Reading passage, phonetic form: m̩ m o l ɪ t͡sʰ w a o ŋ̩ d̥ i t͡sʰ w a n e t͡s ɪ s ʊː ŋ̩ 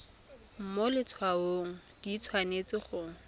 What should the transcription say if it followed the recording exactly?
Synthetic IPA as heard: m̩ m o l ɪ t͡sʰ w a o ŋ̩ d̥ i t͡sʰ w a n e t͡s ɪ χ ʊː ŋ̩